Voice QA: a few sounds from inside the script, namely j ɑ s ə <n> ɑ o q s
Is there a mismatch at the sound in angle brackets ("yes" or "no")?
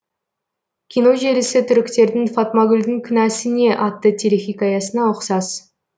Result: no